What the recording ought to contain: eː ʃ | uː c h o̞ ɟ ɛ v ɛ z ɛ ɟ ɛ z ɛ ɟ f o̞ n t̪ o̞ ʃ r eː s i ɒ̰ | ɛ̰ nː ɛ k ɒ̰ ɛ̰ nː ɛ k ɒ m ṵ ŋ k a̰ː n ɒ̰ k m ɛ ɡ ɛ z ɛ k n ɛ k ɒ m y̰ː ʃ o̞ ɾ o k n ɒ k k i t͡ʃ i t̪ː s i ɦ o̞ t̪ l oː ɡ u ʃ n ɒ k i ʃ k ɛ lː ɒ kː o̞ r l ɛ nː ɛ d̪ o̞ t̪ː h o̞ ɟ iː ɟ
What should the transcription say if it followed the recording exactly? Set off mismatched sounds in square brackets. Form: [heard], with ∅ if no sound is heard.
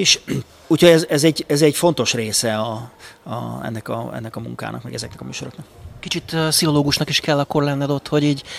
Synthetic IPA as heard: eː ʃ | uː c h o̞ ɟ ɛ [z] ɛ z ɛ ɟ ɛ z ɛ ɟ f o̞ n t̪ o̞ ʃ r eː s [ɛ] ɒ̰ | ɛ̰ nː ɛ k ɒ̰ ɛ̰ nː ɛ k ɒ m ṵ ŋ k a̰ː n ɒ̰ k m ɛ ɡ ɛ z ɛ k n ɛ k ɒ m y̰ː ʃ o̞ ɾ o k n ɒ k k i t͡ʃ i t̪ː s i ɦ o̞ [∅] l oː ɡ u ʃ n ɒ k i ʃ k ɛ lː ɒ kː o̞ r l ɛ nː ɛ d̪ o̞ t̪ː h o̞ ɟ iː ɟ